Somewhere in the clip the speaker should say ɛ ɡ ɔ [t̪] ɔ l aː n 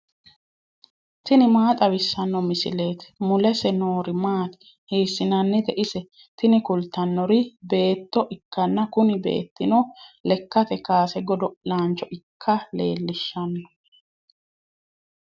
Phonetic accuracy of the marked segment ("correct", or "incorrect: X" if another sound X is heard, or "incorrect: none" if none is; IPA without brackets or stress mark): incorrect: d̪